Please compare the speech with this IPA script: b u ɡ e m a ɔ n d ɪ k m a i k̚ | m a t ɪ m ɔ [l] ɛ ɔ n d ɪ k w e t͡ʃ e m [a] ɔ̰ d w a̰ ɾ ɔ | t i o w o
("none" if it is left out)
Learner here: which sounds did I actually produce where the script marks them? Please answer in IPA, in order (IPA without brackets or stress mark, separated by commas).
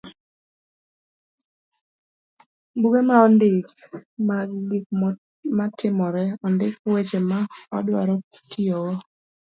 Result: ɾ, a